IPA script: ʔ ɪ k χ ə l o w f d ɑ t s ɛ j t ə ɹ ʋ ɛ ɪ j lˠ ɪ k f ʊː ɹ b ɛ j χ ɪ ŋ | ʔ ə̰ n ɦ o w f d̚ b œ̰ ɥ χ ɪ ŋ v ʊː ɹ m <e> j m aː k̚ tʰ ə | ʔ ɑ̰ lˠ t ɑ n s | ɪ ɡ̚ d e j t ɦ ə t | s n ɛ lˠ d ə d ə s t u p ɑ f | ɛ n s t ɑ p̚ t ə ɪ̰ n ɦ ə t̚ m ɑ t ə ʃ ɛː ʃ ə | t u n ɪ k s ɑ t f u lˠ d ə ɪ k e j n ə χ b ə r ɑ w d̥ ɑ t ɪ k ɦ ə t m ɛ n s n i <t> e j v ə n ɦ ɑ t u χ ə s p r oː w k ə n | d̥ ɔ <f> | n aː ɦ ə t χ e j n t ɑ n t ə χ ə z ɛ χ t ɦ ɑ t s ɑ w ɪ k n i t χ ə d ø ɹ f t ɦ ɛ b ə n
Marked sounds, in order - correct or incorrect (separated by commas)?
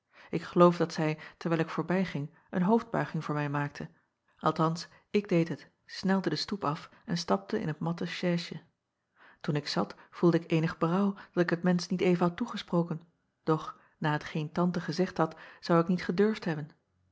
incorrect, correct, incorrect